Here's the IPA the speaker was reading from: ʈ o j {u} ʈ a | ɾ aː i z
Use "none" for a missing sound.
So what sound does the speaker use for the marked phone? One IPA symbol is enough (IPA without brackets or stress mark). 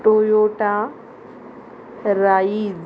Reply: o